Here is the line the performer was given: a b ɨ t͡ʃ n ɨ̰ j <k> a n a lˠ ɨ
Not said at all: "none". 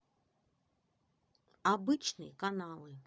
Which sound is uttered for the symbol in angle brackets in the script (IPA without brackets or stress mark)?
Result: k